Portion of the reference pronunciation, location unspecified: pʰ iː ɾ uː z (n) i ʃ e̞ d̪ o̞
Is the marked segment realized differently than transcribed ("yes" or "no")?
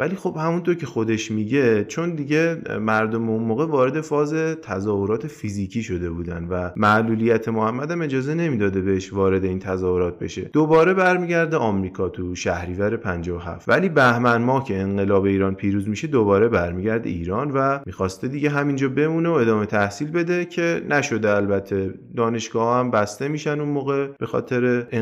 yes